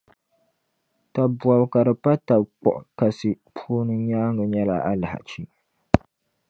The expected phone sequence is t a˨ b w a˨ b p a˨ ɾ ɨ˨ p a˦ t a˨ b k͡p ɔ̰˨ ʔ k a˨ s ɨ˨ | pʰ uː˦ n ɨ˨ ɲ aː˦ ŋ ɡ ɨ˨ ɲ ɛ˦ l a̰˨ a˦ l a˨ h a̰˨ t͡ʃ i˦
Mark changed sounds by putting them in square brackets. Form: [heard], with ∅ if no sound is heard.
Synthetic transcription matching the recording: t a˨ b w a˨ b [k] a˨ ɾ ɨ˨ p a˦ t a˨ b k͡p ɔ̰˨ ʔ k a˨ s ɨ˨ | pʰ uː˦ n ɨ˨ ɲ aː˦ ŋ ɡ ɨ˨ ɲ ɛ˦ l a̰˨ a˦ l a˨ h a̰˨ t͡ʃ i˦